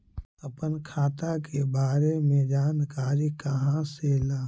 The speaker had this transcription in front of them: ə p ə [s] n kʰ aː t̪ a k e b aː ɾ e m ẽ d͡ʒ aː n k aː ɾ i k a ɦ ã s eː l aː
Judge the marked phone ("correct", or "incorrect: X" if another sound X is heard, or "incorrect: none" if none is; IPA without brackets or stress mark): incorrect: none